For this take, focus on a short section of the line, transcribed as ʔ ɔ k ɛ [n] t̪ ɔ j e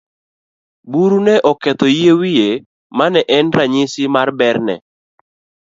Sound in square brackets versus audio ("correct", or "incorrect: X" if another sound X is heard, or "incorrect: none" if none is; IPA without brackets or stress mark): incorrect: none